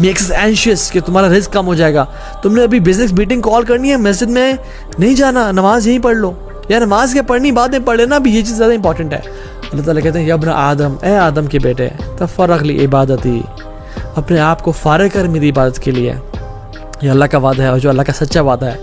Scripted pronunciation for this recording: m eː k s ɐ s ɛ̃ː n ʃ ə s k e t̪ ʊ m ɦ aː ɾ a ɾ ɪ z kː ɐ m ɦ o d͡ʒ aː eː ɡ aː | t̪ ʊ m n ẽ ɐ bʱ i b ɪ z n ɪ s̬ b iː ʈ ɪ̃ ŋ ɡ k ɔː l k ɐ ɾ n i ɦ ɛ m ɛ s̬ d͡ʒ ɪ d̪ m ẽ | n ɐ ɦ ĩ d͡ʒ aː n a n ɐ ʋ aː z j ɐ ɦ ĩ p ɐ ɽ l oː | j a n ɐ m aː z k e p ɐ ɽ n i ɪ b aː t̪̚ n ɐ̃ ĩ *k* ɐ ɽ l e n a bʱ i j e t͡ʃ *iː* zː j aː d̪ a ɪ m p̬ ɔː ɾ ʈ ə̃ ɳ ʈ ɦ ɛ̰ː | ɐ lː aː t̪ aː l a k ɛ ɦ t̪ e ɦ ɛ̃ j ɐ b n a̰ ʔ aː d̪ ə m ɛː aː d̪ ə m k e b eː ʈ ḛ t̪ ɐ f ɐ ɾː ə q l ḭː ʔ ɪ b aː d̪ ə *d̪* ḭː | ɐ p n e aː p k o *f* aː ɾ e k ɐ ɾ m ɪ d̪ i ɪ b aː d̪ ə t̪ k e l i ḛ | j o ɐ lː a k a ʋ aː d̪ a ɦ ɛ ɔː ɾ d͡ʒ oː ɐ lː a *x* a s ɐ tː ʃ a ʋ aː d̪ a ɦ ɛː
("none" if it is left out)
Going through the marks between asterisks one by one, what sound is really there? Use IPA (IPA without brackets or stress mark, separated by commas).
p, iː, t̪, f, k